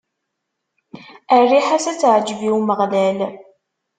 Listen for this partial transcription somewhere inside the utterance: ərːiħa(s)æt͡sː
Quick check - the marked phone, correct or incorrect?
correct